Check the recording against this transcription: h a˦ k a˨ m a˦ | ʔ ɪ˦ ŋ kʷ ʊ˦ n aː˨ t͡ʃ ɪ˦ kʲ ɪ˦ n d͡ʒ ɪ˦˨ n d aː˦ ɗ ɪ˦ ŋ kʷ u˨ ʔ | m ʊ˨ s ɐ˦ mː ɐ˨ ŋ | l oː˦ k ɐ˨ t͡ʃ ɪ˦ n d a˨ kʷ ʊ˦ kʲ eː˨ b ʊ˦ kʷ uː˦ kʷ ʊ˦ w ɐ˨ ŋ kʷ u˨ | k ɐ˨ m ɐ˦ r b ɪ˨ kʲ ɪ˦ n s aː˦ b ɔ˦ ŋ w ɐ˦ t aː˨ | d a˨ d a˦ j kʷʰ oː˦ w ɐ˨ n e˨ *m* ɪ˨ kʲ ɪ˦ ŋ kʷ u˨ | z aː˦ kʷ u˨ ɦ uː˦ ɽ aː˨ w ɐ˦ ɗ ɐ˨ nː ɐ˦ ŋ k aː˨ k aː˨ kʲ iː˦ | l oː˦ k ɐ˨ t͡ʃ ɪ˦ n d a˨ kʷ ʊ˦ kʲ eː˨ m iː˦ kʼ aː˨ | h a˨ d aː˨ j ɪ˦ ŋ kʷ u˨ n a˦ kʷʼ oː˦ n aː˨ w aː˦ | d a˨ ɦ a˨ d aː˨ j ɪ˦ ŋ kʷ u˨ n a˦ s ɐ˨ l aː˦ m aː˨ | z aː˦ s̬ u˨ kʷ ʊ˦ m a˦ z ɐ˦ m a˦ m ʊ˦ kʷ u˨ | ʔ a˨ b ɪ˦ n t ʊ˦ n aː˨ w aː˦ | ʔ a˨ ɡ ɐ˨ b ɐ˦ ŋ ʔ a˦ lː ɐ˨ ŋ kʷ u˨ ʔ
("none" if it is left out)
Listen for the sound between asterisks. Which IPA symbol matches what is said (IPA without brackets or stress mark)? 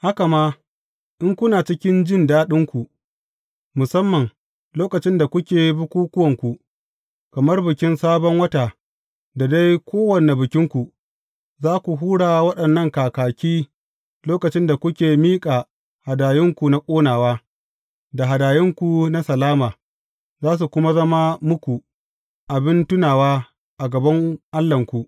b